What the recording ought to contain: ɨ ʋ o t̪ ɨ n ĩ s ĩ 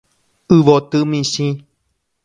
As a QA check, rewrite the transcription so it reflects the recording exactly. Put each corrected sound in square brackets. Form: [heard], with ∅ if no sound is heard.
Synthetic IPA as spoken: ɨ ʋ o t̪ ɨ [m] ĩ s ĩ